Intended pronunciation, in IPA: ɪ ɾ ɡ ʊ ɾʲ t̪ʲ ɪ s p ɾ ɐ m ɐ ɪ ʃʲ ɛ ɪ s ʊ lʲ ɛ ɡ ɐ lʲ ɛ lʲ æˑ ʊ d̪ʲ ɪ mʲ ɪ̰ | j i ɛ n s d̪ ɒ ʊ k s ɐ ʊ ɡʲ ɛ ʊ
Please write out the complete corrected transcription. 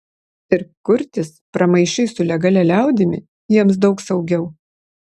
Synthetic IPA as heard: ɪ ɾ k ʊ ɾʲ t̪ʲ ɪ s p ɾ ɐ m ɐ ɪ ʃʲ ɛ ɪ s ʊ lʲ ɛ ɡ ɐ lʲ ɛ lʲ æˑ ʊ d̪ʲ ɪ mʲ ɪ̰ | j i ɛ m s d̪ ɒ ʊ k s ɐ ʊ ɡʲ ɛ ʊ